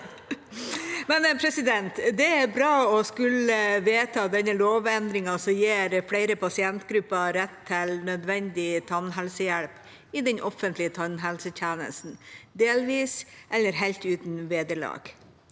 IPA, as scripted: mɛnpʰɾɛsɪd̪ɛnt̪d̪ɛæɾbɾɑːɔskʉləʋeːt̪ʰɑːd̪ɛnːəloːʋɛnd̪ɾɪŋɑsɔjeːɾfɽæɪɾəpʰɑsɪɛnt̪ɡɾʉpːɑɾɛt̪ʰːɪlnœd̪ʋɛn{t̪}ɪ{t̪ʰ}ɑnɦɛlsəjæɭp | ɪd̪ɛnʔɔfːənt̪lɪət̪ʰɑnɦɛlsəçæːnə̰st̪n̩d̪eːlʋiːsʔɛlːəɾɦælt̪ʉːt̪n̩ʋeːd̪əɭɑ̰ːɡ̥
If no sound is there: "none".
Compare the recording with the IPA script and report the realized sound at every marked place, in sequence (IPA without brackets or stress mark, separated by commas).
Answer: d̪, t̪ʰ